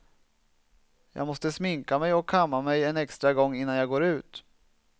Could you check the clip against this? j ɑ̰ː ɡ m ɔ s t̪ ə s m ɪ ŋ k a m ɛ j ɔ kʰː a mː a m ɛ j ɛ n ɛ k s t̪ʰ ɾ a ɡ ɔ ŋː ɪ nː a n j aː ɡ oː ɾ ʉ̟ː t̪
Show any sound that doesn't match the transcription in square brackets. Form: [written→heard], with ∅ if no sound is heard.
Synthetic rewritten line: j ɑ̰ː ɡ m ɔ s t̪ ə s m ɪ ŋ k a m ɛ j ɔ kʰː a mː a m ɛ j ɛ n ɛ k s [t̪ʰ→t̪] ɾ a ɡ ɔ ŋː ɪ nː a n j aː ɡ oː ɾ ʉ̟ː t̪